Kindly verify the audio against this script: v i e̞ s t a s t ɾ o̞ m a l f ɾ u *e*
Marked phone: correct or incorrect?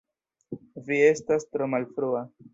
incorrect